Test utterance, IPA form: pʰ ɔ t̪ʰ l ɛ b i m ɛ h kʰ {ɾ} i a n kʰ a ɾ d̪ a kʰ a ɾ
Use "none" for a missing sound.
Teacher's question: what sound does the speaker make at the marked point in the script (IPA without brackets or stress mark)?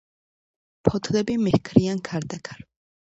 ɾ